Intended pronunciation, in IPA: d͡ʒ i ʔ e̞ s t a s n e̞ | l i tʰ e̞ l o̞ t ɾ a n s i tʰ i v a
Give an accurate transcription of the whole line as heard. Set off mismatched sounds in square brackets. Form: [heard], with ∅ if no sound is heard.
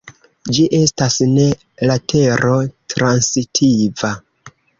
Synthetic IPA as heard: d͡ʒ i ʔ e̞ s t a s n e̞ | l [a] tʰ e̞ [ɾ] o̞ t ɾ a n s i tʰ i v a